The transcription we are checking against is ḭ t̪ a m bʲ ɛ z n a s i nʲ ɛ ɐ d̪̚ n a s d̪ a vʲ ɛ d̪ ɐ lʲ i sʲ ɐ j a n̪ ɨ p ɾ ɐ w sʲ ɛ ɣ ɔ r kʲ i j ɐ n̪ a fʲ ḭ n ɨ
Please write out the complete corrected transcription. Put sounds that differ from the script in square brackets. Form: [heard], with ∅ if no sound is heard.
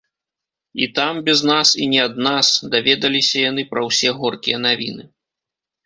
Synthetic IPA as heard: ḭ t̪ a m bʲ ɛ z n a s i nʲ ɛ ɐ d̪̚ n a s d̪ a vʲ ɛ d̪ ɐ lʲ i sʲ ɐ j a n̪ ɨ p ɾ ɐ w sʲ ɛ ɣ ɔ r kʲ i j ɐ n̪ a [vʲ] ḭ n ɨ